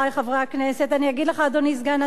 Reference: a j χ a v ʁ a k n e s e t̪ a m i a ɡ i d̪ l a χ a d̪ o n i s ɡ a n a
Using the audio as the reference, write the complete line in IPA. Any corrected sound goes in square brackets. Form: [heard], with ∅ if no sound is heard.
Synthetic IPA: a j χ a v ʁ a k n e s e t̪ a [n] i a ɡ i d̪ l [e] χ a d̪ o n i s ɡ a n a